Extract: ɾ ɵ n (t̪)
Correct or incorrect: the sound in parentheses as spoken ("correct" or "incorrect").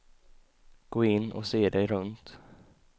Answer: correct